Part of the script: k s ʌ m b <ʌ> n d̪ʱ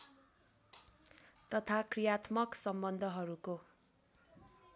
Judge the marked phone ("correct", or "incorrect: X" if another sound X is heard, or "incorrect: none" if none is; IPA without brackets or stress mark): correct